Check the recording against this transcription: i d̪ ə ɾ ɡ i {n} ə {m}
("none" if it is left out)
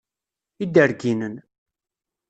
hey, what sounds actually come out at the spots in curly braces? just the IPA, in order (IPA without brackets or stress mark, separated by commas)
n, n